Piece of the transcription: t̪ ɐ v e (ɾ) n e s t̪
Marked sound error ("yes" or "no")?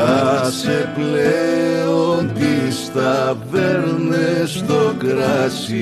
no